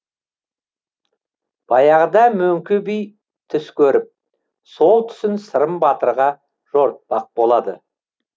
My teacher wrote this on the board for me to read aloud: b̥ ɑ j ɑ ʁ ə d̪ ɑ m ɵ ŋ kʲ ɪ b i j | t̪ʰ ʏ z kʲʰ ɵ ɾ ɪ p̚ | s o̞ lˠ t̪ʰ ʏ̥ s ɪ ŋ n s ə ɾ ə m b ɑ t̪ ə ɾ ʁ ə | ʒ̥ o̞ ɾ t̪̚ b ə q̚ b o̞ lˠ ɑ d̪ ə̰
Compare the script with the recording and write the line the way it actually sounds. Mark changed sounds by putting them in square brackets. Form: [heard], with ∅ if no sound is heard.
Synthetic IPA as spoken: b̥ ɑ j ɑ ʁ ə d̪ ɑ m ɵ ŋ kʲ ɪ b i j | t̪ʰ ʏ [s] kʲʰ ɵ ɾ ɪ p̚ | s o̞ lˠ t̪ʰ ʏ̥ s ɪ [∅] n s ə ɾ ə m b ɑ t̪ ə ɾ ʁ [ɑ] | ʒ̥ o̞ ɾ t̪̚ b [ɑ] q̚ b o̞ lˠ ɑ d̪ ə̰